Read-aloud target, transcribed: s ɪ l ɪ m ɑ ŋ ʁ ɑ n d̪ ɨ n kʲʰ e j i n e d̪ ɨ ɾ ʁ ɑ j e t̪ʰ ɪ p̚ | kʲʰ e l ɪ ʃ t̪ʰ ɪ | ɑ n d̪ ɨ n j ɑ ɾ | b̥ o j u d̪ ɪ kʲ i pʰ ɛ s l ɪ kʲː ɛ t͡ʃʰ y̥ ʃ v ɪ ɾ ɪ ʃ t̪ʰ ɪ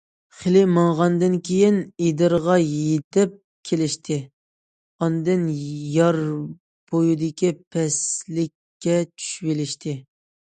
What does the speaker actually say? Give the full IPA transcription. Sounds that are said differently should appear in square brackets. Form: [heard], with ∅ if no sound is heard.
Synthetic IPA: [χ] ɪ l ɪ m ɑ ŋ ʁ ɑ n d̪ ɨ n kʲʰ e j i n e d̪ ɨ ɾ ʁ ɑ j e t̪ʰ ɪ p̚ | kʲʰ e l ɪ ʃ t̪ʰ ɪ | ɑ n d̪ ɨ n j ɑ ɾ | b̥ o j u d̪ ɪ kʲ i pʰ ɛ s l ɪ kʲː ɛ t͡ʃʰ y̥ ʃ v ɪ [l] ɪ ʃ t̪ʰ ɪ